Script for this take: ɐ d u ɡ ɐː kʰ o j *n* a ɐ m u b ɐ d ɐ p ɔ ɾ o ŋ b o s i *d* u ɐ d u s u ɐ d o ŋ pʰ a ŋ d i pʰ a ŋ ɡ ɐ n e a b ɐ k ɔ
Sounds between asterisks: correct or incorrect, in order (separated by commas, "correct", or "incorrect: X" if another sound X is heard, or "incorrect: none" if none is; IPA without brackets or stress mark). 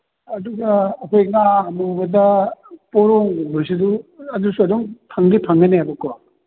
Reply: incorrect: ŋ, correct